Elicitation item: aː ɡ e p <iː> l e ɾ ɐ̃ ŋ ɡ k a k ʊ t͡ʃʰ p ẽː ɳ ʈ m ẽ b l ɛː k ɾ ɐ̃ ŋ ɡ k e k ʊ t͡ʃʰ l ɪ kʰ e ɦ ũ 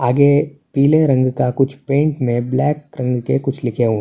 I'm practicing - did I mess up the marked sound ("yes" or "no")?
no